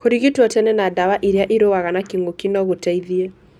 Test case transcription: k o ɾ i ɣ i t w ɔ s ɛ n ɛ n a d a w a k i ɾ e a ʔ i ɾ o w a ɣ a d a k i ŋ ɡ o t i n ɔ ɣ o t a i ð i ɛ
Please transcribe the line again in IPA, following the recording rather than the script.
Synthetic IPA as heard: k o ɾ i ɣ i t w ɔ t ɛ n ɛ n a d a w a ʔ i ɾ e a ʔ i ɾ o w a ɣ a n a k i ŋ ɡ o k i n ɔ ɣ o t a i ð i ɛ